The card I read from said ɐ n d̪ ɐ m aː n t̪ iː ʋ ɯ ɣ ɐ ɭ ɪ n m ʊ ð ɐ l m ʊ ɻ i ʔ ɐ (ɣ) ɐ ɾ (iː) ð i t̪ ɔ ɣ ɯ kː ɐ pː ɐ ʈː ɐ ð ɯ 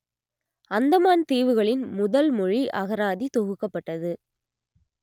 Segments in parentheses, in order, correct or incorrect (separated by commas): correct, incorrect